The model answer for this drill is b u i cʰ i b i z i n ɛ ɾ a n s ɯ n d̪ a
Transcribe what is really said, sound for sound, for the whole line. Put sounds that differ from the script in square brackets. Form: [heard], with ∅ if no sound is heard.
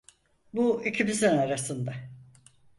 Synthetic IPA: b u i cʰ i b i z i n [a] ɾ a [∅] s ɯ n d̪ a